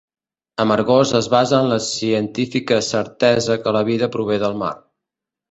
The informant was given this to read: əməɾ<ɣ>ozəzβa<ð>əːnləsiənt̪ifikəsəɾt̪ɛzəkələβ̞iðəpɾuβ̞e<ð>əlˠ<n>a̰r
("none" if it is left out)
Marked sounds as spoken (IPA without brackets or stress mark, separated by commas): ɣ, z, ð, m